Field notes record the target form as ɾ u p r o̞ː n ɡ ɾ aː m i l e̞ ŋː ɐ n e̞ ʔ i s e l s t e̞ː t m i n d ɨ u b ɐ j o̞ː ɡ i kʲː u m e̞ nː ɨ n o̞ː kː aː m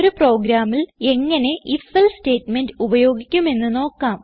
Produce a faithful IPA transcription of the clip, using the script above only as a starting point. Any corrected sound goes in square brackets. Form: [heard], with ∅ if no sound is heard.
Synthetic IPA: ɾ u p r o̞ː [∅] ɡ ɾ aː m i l e̞ ŋː ɐ n e̞ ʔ i [f] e l s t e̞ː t m [e] n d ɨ u b ɐ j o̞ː ɡ i kʲː u m e̞ nː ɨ n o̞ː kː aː m